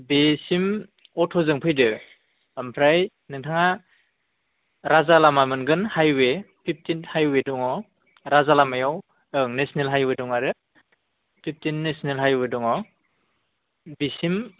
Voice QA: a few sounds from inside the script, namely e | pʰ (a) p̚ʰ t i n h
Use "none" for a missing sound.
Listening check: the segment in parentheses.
i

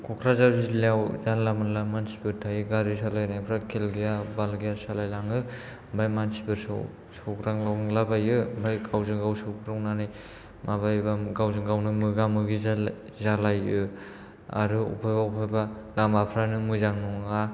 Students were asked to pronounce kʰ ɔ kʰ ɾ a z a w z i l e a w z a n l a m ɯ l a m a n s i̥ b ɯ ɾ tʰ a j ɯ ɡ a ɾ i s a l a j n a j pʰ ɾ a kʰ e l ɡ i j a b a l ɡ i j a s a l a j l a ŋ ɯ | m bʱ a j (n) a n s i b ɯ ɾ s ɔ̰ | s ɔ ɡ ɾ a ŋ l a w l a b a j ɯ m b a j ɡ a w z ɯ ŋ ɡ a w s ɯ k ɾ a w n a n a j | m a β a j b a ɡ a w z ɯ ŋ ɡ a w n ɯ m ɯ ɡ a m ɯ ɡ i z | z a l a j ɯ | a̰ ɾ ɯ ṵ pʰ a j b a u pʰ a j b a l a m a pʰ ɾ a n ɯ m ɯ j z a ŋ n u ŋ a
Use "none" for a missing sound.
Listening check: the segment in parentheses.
m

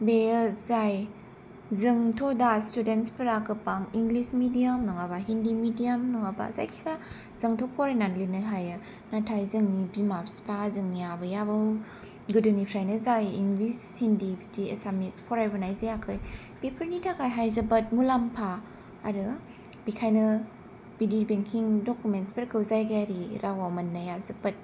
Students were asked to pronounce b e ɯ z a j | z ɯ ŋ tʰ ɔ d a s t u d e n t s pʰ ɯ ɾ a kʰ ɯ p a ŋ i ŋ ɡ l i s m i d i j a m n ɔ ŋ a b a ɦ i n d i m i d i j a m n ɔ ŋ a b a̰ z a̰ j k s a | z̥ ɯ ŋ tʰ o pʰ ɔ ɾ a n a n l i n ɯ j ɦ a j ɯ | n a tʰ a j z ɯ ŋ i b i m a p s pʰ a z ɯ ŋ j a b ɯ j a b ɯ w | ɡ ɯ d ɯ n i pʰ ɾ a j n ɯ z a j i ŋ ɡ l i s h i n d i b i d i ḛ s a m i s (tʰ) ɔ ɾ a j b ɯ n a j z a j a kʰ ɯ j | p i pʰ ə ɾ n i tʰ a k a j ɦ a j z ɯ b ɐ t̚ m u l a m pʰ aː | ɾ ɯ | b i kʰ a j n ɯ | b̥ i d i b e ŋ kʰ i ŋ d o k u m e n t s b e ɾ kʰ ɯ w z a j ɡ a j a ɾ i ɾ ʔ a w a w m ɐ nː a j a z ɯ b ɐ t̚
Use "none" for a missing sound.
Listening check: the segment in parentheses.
pʰ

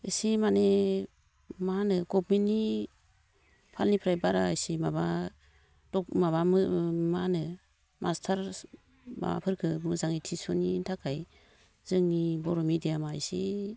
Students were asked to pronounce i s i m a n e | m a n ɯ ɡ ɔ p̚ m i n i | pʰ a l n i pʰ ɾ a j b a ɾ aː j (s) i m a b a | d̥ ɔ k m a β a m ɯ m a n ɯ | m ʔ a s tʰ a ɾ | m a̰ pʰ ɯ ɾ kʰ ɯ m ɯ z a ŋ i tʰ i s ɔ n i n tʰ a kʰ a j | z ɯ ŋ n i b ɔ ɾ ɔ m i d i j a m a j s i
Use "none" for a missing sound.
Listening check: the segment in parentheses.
s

